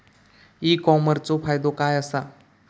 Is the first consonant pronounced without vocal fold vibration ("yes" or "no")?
yes